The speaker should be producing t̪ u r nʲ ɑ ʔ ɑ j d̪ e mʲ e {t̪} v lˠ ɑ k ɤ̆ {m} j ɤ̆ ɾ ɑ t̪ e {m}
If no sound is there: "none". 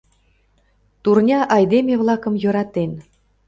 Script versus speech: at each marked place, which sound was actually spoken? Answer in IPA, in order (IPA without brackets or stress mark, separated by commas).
none, m, n